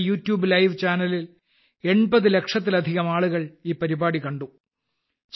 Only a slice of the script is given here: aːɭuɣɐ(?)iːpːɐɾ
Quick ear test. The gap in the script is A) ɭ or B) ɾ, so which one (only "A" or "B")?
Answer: A